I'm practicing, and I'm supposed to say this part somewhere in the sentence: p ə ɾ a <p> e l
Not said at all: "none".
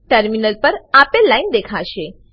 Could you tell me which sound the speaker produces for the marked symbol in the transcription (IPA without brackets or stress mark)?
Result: p